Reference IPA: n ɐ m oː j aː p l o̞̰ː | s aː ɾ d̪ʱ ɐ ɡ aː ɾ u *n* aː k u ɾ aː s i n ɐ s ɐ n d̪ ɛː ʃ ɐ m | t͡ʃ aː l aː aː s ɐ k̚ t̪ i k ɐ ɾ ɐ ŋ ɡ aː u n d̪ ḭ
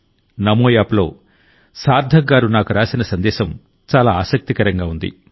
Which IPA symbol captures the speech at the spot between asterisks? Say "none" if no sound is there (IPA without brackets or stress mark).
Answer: n